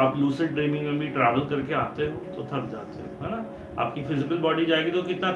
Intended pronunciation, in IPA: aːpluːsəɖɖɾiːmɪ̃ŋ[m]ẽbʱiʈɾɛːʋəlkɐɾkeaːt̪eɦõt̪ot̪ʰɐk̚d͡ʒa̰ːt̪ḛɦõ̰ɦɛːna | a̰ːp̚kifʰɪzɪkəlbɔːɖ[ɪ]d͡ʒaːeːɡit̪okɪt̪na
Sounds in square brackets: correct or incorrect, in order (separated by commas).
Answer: correct, incorrect